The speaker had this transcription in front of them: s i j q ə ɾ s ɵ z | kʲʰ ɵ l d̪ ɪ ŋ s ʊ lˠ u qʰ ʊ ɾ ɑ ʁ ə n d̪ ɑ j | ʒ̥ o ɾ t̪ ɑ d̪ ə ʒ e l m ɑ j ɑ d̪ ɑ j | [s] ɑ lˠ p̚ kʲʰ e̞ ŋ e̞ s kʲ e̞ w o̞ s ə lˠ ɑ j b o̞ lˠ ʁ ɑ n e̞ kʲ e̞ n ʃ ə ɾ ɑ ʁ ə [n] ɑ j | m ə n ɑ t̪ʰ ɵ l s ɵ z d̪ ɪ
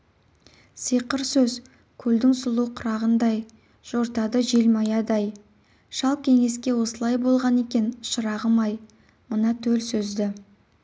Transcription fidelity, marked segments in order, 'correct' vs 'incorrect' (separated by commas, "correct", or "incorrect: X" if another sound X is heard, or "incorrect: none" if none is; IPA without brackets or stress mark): incorrect: ʃ, incorrect: m